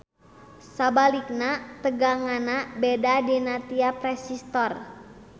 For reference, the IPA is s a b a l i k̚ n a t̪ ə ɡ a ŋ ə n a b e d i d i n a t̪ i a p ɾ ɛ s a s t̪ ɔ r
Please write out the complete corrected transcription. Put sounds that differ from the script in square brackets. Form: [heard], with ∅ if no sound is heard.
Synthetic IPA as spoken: s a b a l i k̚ n a t̪ ə ɡ a ŋ [a] n a b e d [a] d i n a t̪ i a p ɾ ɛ s [i] s t̪ ɔ r